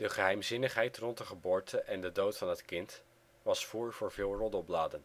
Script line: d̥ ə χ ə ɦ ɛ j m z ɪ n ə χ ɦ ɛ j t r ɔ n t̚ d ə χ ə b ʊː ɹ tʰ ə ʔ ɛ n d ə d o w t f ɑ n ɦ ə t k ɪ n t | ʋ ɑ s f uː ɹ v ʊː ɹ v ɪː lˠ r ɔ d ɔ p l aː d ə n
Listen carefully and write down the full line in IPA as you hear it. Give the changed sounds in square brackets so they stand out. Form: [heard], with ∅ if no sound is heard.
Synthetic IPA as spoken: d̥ ə χ ə ɦ ɛ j m z ɪ n ə χ ɦ ɛ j t r ɔ n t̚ d ə χ ə b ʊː ɹ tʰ ə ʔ ɛ n d ə d o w t f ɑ n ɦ ə t k ɪ n t | ʋ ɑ s f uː ɹ v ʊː ɹ v ɪː lˠ r ɔ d ɔ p l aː d ə n